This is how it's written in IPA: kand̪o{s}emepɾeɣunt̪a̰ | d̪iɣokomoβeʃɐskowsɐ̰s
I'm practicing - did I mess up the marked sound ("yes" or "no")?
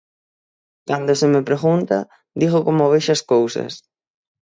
no